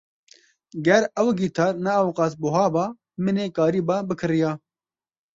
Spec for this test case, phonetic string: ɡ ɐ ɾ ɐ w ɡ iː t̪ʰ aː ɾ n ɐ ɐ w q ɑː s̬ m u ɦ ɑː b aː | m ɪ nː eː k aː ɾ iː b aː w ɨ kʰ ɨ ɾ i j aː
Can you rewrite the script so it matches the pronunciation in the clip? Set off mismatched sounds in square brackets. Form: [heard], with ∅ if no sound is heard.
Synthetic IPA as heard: ɡ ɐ ɾ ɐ w ɡ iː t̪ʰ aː ɾ n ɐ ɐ w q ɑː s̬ [b] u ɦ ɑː b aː | m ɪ [n] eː k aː ɾ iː b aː [b] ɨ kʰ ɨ ɾ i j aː